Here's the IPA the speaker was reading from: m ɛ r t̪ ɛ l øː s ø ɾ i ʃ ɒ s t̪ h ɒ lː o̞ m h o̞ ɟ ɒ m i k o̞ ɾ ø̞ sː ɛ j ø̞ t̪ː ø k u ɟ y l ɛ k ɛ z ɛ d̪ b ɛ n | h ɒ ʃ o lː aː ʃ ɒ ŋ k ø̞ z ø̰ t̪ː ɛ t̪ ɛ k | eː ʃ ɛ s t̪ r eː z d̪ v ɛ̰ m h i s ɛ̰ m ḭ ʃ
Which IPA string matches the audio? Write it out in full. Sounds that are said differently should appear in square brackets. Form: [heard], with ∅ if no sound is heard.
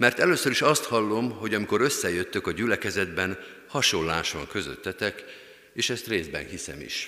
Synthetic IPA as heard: m ɛ r t̪ ɛ l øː s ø ɾ i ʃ ɒ s t̪ h ɒ lː o̞ m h o̞ ɟ ɒ m i k o̞ ɾ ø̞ sː ɛ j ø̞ t̪ː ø k [ɒ] ɟ y l ɛ k ɛ z ɛ d̪ b ɛ n | h ɒ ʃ o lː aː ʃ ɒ ŋ k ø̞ z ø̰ t̪ː ɛ t̪ ɛ k | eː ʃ ɛ s t̪ r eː z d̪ [b] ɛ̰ [n] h i s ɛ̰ m ḭ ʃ